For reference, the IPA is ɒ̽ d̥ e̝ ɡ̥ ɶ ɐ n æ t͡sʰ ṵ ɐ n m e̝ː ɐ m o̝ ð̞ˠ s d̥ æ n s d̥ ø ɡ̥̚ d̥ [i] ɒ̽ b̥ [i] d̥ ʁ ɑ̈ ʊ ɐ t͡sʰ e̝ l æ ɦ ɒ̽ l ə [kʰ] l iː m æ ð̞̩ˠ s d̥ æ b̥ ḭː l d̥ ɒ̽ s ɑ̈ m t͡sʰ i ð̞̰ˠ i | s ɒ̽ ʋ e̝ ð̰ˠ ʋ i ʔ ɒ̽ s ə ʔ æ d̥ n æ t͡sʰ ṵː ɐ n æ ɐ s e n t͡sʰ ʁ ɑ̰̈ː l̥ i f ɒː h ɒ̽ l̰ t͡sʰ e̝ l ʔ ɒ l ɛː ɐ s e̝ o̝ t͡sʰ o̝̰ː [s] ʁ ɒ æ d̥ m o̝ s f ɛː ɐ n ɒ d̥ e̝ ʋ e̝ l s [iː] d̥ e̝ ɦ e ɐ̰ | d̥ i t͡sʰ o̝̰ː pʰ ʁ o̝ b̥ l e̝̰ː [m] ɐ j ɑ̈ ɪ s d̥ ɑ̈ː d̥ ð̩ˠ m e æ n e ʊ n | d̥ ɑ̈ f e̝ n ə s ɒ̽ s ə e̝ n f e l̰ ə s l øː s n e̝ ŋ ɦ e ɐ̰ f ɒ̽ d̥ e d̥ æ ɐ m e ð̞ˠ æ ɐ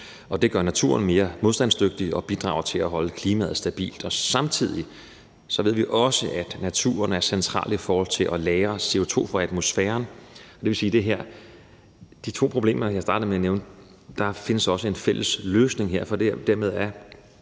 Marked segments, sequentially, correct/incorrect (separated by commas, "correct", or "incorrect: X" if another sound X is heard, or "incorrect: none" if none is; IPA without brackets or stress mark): correct, correct, correct, incorrect: f, correct, correct